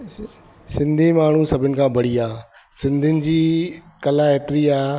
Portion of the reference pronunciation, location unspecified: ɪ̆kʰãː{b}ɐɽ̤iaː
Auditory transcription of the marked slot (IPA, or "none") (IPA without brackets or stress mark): b